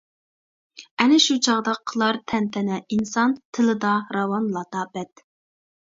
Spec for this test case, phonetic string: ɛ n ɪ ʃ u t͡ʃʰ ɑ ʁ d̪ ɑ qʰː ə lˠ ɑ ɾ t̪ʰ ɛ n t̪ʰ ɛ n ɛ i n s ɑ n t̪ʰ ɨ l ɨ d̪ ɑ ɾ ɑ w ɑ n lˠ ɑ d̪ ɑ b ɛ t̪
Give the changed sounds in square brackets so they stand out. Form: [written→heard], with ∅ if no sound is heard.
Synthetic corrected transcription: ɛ n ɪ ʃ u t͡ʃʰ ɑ ʁ d̪ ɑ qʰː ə lˠ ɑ ɾ t̪ʰ ɛ n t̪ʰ ɛ n ɛ i n s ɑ n t̪ʰ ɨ l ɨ d̪ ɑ ɾ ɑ w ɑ n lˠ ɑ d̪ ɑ b ɛ t̪